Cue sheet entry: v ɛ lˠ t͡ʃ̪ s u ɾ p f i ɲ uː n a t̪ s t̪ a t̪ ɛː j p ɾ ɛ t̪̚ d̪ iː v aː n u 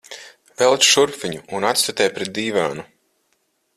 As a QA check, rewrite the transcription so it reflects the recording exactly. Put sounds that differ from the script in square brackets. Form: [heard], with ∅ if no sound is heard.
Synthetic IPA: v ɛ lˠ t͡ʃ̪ [ʃ] u ɾ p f i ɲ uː n a t̪ s t̪ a t̪ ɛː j p ɾ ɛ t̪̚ d̪ iː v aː n u